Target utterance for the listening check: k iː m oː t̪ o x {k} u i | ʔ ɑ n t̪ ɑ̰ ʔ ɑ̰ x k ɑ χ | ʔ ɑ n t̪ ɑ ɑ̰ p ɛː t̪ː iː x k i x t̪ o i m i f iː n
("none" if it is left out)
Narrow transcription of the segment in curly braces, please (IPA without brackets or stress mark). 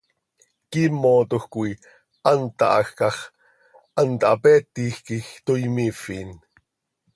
k